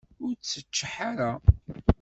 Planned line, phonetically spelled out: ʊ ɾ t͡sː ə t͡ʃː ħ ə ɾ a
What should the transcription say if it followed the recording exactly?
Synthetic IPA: ʊ ɾ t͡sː ə t͡ʃː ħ a ɾ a